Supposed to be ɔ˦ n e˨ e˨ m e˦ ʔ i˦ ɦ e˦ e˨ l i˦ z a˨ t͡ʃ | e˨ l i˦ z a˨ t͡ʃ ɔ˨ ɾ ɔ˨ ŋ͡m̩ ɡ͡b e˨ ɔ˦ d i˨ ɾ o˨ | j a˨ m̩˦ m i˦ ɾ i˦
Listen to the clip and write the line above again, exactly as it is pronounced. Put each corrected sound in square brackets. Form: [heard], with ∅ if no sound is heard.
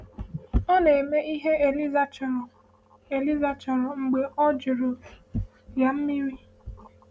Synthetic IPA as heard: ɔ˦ n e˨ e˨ m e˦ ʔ i˦ ɦ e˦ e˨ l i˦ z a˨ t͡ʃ | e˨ l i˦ z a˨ t͡ʃ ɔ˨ ɾ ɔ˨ ŋ͡m̩ ɡ͡b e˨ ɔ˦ [d͡ʒ] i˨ ɾ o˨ | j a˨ m̩˦ m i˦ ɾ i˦